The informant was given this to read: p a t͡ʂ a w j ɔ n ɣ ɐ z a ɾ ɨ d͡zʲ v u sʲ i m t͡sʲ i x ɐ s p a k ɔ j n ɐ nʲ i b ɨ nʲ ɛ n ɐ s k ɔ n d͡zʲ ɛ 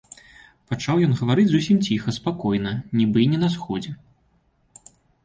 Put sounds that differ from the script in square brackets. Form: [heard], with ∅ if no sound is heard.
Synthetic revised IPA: p a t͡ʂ a w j ɔ n ɣ ɐ [v] a ɾ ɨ d͡zʲ [z] u sʲ i m t͡sʲ i x ɐ s p a k ɔ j n ɐ nʲ i b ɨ nʲ ɛ n ɐ s [x] ɔ [∅] d͡zʲ ɛ